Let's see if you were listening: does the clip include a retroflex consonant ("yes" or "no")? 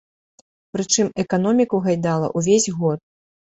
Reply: yes